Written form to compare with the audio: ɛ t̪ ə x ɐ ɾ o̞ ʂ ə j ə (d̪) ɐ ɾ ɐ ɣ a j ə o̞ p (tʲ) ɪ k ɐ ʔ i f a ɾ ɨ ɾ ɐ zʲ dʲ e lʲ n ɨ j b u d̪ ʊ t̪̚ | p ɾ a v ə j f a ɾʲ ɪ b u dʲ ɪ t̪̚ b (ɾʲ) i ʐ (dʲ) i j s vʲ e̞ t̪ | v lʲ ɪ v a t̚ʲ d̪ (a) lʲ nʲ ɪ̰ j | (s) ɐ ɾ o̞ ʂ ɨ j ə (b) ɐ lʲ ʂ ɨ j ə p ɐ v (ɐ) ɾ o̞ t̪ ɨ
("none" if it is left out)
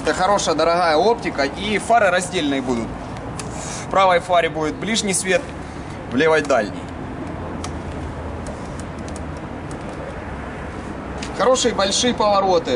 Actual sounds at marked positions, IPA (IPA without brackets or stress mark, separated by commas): d̪, tʲ, lʲ, nʲ, a, x, b, ɐ